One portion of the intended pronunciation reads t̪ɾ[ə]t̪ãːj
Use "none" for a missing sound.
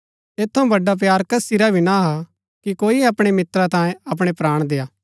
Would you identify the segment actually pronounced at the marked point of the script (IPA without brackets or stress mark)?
a